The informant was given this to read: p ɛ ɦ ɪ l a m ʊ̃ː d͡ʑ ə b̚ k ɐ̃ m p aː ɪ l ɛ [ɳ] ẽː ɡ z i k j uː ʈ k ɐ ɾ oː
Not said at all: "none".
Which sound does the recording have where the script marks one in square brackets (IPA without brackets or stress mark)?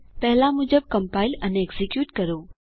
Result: n